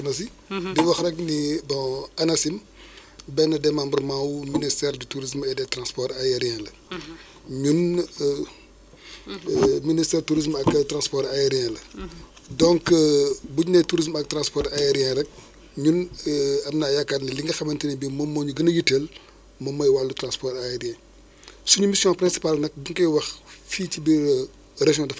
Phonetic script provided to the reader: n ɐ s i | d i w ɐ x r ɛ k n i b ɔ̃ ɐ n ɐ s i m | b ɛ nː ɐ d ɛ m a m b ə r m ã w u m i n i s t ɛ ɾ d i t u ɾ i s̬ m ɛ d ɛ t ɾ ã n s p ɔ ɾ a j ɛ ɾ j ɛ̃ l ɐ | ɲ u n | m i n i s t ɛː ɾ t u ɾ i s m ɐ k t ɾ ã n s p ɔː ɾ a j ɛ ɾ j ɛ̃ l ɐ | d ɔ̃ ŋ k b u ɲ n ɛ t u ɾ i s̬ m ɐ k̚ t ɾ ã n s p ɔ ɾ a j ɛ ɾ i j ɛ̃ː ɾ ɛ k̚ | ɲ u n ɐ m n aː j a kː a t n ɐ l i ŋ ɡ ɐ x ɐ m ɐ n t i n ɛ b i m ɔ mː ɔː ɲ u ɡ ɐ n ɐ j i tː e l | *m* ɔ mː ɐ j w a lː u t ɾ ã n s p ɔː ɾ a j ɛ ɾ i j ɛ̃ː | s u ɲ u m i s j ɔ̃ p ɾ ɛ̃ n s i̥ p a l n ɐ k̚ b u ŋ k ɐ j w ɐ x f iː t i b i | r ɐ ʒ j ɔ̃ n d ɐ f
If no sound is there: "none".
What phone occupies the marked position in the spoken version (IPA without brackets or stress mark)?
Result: m